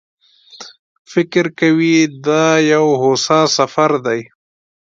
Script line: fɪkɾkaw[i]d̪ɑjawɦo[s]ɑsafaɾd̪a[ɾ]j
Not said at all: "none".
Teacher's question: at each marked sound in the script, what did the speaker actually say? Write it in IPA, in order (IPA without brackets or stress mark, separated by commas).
i, s, none